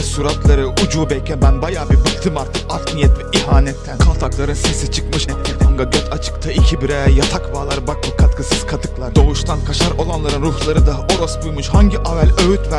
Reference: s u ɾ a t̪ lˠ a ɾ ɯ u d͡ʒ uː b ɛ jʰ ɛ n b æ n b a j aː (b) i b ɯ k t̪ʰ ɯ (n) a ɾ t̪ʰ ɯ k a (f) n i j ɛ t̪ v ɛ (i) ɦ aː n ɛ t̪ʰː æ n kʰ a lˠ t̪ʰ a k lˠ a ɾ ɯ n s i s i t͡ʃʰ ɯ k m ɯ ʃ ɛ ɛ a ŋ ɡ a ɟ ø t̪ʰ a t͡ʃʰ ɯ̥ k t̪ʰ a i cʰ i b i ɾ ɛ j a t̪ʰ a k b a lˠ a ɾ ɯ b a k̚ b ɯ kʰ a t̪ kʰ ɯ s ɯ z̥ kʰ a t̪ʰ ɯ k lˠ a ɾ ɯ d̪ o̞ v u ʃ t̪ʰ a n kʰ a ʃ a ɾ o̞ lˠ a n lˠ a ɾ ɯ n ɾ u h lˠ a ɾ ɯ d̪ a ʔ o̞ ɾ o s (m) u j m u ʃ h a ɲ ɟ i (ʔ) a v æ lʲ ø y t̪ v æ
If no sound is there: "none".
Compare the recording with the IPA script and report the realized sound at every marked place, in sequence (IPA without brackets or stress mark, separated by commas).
b, m, f, i, b, ʔ